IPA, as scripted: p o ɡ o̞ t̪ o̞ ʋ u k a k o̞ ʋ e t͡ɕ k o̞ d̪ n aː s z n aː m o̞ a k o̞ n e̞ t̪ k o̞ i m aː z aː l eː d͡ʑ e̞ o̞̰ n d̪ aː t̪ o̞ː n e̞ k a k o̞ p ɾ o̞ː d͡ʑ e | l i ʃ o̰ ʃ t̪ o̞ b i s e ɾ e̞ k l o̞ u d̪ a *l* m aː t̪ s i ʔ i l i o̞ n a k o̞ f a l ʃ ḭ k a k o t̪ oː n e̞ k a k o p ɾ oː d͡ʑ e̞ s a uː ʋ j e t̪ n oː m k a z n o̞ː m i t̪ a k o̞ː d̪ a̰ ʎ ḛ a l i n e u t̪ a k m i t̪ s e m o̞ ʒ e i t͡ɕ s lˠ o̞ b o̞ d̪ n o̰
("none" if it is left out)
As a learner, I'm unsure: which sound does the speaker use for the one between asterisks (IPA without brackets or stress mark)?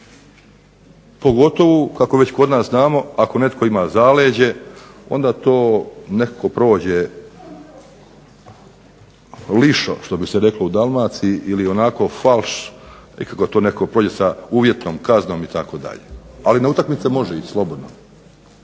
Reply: l